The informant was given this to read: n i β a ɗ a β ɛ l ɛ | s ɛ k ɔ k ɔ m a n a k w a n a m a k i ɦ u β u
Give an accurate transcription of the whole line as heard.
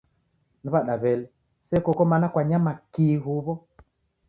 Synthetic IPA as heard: n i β a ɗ a β ɛ l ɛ | s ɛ k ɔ k ɔ m a n a k w a ɲ a m a k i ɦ u β ɔ